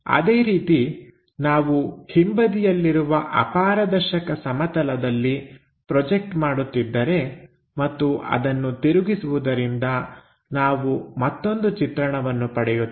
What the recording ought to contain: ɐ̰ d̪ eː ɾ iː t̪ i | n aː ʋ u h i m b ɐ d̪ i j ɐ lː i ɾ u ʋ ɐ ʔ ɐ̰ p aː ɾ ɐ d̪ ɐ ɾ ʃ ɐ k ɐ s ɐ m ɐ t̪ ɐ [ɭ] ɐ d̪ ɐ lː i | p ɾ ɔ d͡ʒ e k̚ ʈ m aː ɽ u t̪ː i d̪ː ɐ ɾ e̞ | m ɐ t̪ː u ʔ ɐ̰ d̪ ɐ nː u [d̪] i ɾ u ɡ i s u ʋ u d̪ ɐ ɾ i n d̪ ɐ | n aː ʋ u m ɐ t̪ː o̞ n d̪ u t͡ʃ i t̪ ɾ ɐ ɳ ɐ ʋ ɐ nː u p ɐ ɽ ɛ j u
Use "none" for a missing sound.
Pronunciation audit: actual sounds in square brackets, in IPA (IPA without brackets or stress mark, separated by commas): l, t̪